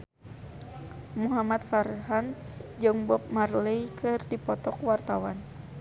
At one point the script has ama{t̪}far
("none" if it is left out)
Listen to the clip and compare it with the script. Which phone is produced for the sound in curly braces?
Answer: t̪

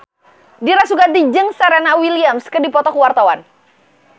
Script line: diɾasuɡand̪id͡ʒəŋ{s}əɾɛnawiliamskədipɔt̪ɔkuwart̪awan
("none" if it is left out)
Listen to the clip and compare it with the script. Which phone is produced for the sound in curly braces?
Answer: s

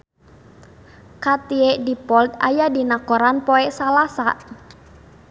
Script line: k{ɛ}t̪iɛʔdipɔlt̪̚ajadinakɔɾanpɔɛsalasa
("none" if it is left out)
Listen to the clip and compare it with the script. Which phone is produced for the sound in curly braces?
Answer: a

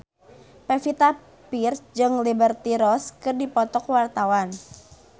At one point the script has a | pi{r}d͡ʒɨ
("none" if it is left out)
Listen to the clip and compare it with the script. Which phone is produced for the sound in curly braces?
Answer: r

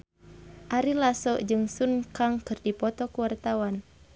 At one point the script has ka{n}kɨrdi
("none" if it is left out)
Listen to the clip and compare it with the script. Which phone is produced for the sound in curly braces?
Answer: ŋ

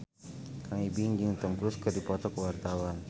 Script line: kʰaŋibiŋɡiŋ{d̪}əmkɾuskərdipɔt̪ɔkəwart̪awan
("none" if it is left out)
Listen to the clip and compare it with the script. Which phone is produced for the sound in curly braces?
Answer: t̪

